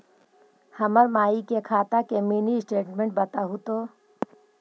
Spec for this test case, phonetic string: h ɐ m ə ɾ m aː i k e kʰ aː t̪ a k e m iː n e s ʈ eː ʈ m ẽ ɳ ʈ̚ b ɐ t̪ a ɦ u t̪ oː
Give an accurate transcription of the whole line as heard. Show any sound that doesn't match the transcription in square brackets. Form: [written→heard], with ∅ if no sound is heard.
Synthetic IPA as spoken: h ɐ m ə ɾ m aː i k e kʰ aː t̪ a k e m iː n [e→i] s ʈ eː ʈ m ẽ ɳ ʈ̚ b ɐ t̪ a ɦ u t̪ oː